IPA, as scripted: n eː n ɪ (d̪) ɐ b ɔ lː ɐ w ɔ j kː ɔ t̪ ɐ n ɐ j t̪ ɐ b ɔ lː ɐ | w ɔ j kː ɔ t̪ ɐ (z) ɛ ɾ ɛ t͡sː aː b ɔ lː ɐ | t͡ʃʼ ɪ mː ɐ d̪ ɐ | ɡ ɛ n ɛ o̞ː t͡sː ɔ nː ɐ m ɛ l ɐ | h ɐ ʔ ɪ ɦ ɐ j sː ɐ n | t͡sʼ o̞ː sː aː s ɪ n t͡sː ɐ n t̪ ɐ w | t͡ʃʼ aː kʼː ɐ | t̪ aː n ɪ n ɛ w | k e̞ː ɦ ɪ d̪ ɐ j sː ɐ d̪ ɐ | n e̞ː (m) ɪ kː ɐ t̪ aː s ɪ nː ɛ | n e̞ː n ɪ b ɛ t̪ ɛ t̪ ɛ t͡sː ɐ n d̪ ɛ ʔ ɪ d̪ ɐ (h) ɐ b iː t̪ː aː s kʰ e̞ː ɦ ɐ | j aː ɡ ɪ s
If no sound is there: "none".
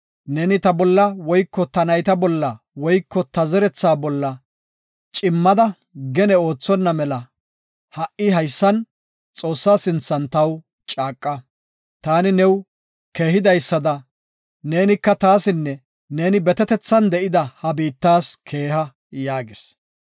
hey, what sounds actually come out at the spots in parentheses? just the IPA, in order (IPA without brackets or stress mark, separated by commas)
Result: t̪, z, n, h